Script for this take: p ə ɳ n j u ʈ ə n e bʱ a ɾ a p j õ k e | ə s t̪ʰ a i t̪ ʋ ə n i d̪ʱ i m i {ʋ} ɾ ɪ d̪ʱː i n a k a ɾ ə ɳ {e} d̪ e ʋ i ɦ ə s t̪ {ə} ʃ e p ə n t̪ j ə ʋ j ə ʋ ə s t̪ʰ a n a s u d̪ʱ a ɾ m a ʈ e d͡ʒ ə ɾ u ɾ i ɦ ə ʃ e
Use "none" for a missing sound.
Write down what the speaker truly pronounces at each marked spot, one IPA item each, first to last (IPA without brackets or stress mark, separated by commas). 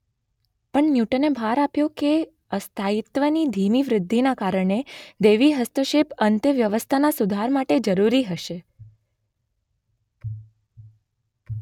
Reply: ʋ, e, ə